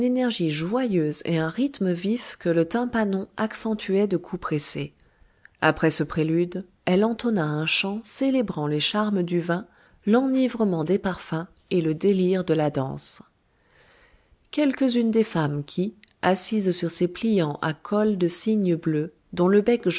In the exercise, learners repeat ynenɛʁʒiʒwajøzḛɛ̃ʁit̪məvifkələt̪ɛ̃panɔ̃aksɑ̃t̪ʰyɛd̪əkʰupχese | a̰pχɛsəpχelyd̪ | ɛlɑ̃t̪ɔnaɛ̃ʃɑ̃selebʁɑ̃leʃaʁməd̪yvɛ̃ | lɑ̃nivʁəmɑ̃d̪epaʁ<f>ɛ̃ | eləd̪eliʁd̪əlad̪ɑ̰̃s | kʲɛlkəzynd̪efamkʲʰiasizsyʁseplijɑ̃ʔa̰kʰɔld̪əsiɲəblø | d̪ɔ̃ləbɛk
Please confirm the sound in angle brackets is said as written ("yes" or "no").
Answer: yes